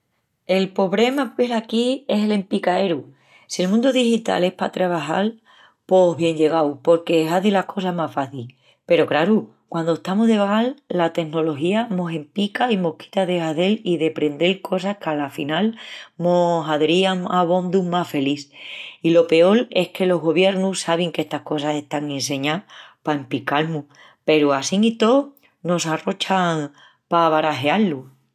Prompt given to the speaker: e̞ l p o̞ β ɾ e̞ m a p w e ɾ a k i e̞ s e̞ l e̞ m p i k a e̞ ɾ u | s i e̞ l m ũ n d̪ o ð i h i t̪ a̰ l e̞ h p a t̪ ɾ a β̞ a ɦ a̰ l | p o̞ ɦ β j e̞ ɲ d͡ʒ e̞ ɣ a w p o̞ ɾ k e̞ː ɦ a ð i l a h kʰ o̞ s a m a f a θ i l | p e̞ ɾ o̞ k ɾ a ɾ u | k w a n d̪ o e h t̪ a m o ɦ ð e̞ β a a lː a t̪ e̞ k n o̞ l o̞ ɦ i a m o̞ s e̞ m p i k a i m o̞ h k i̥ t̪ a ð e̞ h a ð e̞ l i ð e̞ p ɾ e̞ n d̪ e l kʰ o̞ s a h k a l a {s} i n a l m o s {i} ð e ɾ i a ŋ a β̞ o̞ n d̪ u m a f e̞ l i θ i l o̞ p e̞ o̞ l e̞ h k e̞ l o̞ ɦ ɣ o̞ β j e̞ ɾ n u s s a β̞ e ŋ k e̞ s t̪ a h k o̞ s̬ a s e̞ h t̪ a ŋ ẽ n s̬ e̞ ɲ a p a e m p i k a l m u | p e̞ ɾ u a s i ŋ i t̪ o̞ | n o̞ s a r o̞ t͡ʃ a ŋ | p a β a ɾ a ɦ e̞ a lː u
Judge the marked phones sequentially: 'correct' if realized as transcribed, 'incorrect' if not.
incorrect: f, incorrect: a

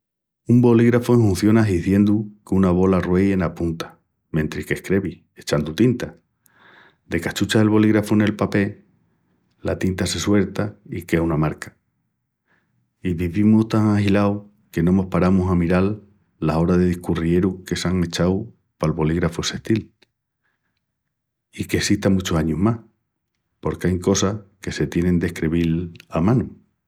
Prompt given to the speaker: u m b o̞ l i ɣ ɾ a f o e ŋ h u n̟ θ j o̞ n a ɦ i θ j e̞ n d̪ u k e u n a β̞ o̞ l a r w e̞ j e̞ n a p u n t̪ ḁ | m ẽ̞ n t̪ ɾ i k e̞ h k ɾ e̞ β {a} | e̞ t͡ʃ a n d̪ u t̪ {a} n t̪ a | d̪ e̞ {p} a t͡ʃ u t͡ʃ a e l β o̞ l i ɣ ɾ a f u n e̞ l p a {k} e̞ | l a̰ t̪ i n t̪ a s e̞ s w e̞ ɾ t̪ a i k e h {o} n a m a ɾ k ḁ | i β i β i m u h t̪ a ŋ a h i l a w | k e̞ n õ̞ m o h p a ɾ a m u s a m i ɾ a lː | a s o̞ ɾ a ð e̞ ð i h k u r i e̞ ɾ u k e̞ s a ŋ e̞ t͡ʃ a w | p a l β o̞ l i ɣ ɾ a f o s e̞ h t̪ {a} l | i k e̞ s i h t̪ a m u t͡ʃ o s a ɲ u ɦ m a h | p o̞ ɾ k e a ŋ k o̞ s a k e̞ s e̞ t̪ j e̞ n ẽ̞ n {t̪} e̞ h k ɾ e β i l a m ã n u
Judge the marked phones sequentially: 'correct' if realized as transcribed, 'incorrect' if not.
incorrect: i, incorrect: i, incorrect: k, incorrect: p, incorrect: u, incorrect: i, incorrect: d̪

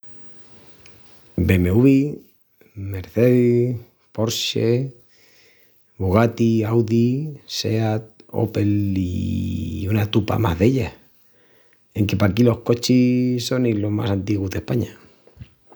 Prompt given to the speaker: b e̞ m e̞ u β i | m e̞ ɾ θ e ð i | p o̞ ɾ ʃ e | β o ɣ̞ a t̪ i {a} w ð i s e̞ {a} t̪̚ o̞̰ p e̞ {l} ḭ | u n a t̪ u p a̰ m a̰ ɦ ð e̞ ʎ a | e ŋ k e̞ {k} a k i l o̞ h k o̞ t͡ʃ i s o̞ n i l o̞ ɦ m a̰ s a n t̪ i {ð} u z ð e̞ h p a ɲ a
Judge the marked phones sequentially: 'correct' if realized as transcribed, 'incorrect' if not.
correct, correct, correct, incorrect: p, incorrect: ɣ

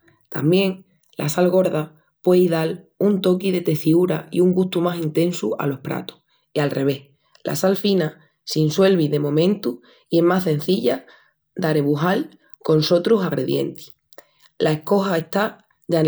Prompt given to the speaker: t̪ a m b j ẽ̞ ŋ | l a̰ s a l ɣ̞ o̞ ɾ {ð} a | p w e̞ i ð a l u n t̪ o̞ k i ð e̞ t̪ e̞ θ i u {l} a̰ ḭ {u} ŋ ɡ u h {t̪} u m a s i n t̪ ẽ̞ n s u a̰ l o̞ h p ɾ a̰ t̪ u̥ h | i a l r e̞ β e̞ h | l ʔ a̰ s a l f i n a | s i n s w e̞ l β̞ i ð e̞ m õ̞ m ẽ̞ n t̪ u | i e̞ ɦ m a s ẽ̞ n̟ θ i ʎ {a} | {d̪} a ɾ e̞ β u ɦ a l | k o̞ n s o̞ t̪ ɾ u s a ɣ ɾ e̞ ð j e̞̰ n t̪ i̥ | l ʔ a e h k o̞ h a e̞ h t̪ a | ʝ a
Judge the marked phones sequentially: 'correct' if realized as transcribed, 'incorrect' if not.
correct, incorrect: ɾ, correct, correct, correct, correct

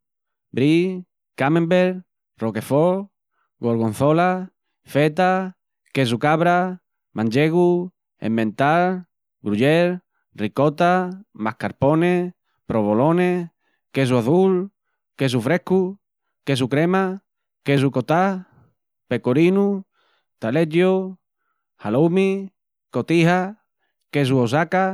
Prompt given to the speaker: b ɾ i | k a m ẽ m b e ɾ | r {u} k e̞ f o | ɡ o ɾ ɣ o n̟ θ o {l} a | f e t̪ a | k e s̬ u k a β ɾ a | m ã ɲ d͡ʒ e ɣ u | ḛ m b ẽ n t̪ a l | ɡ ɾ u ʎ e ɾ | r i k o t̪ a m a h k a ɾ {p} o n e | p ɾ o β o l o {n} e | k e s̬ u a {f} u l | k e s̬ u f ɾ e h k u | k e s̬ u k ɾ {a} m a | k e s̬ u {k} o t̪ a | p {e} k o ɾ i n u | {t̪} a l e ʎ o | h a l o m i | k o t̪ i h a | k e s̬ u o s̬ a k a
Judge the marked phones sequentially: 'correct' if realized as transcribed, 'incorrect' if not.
incorrect: o, correct, correct, correct, incorrect: θ, incorrect: e, correct, correct, correct

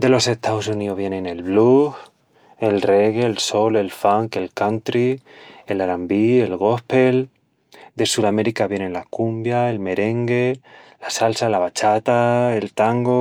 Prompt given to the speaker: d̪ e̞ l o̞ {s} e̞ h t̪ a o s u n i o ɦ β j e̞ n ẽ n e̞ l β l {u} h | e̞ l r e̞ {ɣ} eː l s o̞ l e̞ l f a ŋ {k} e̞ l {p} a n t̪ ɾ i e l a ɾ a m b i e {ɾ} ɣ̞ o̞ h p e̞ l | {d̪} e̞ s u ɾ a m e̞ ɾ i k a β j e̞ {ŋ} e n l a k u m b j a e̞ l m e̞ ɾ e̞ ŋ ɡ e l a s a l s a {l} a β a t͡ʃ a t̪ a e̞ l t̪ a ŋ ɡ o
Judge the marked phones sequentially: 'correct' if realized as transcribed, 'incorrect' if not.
correct, correct, correct, correct, incorrect: k, incorrect: l, correct, incorrect: n, correct

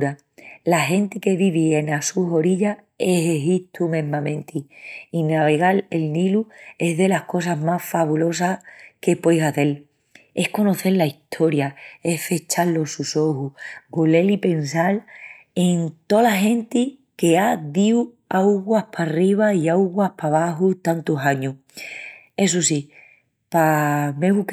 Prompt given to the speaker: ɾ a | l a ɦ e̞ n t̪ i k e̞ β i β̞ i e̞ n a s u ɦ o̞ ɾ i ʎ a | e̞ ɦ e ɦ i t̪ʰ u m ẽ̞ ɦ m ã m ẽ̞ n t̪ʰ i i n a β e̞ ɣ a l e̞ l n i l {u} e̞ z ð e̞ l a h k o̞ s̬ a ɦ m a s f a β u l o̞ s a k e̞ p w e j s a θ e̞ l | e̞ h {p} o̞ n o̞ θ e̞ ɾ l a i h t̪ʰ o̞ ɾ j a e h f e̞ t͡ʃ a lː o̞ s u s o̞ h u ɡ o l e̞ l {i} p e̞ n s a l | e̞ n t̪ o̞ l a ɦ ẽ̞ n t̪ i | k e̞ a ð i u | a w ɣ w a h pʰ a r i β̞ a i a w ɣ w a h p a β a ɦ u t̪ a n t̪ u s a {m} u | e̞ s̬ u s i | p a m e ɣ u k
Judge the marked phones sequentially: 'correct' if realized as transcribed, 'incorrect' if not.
correct, incorrect: k, correct, incorrect: ɲ

